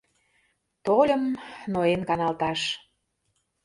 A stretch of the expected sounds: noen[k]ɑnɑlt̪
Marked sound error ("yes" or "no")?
no